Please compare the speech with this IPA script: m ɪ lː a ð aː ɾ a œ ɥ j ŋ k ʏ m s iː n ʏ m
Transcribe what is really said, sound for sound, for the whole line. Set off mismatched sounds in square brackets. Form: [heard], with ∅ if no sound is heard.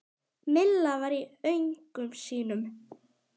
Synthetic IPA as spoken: m ɪ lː a [v] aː ɾ [i] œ ɥ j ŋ k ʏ m s iː n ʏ m